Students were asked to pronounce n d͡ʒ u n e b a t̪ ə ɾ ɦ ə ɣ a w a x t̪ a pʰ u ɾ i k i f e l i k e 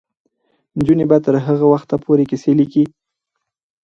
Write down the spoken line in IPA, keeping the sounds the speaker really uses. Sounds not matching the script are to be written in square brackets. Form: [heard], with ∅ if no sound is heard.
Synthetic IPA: n d͡ʒ u n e b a t̪ ə ɾ ɦ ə ɣ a w a x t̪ a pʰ [o] ɾ [e] k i [s] e l i k [i]